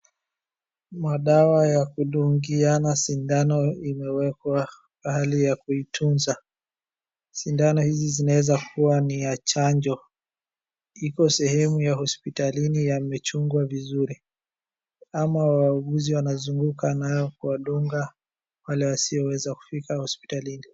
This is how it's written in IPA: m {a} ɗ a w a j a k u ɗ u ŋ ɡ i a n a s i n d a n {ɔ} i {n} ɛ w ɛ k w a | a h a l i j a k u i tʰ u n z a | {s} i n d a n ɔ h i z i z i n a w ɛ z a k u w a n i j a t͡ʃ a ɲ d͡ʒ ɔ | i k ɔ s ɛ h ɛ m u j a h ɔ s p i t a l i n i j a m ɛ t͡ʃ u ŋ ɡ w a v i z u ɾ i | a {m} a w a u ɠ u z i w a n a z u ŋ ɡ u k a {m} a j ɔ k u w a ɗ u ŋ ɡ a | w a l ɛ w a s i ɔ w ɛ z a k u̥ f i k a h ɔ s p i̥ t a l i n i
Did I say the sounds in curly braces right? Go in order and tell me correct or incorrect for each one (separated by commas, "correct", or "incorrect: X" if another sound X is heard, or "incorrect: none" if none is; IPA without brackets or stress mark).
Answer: correct, correct, incorrect: m, correct, correct, incorrect: n